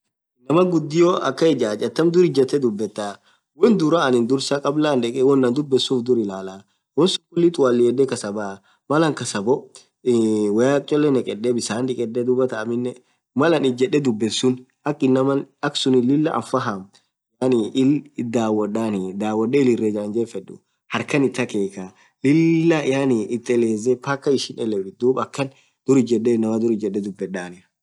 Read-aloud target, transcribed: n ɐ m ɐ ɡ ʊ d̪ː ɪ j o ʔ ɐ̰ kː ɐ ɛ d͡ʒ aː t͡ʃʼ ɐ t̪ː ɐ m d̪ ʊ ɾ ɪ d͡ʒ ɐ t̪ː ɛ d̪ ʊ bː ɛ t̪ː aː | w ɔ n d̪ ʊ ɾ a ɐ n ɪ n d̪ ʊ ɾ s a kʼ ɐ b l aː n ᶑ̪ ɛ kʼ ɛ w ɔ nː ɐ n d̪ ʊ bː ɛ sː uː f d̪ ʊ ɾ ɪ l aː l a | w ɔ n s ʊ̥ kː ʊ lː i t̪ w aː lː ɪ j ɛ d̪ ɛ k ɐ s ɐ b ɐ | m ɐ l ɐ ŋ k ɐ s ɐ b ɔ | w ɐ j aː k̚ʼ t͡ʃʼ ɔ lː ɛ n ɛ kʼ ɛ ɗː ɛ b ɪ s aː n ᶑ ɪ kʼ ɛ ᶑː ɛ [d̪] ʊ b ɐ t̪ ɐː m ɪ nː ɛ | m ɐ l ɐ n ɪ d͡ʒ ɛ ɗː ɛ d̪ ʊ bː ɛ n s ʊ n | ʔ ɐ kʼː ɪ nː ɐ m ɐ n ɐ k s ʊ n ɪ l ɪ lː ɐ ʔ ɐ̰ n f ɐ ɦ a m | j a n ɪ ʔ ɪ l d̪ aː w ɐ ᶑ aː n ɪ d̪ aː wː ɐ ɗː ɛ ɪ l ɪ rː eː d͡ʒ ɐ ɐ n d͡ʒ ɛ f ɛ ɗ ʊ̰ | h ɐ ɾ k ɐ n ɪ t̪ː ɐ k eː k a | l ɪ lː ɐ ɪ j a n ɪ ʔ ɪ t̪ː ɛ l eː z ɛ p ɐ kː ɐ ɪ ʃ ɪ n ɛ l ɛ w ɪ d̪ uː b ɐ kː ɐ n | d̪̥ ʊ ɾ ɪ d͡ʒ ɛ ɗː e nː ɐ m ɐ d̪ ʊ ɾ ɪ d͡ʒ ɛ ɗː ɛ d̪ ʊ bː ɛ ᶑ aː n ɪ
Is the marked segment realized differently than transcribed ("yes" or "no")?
no